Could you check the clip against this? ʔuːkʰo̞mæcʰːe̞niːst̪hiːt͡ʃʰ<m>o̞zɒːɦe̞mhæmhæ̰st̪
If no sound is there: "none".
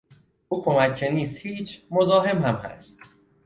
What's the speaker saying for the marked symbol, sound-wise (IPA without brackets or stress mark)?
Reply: m